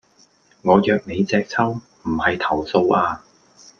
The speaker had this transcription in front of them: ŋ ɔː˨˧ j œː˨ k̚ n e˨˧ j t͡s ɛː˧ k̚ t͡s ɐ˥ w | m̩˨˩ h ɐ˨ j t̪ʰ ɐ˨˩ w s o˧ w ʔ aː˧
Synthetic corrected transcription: ŋ ɔː˨˧ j œː˨ k̚ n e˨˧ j t͡s ɛː˧ k̚ t͡sʰ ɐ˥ w | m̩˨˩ h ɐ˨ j t̪ʰ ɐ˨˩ w s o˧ w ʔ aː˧